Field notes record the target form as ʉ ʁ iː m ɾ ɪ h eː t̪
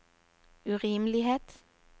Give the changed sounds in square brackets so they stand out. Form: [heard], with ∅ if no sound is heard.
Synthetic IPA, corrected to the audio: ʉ ʁ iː m [l] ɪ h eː t̪